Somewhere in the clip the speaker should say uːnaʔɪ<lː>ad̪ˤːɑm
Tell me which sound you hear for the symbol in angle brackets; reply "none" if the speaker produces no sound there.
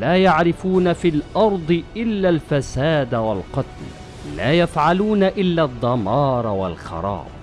lː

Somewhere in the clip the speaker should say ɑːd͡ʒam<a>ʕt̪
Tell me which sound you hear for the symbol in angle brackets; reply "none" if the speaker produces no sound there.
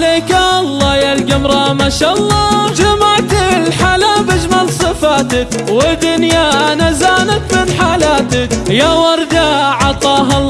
a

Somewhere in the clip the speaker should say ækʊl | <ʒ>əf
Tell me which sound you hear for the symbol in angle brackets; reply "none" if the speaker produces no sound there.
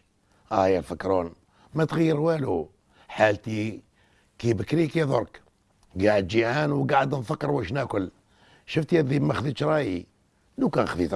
ʃ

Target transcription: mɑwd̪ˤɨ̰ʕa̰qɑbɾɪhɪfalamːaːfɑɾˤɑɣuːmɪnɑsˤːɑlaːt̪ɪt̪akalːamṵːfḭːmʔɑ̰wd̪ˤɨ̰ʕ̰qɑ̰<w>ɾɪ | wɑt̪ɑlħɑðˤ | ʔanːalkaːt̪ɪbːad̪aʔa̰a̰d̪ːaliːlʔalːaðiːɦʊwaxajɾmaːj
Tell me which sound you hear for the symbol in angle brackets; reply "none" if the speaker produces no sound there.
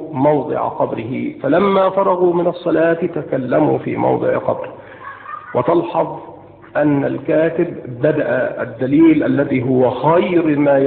b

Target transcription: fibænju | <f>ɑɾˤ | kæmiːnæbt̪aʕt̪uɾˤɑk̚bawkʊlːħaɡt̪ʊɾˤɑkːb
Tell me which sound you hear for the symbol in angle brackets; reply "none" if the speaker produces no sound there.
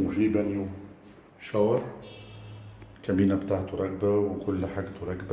ʃ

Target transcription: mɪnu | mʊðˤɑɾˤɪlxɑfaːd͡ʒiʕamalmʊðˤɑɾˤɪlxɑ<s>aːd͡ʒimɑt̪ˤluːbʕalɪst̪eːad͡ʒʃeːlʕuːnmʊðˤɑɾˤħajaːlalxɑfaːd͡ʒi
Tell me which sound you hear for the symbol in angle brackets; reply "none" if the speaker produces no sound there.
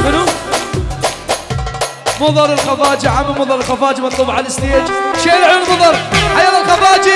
f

